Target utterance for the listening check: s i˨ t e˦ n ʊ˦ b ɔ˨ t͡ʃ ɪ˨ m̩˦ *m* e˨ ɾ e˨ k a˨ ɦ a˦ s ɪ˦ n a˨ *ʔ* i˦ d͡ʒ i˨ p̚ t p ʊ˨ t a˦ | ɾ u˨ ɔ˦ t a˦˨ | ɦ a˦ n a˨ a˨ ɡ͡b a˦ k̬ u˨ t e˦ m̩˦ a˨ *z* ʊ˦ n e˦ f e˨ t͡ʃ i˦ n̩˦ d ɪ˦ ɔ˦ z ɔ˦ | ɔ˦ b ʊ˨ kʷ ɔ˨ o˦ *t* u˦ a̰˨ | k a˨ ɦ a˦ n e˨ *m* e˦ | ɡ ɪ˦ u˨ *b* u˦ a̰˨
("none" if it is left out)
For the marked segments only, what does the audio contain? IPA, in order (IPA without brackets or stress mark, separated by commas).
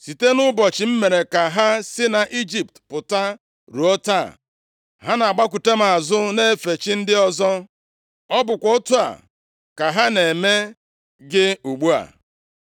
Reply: m, ʔ, z, t, m, ɡ͡b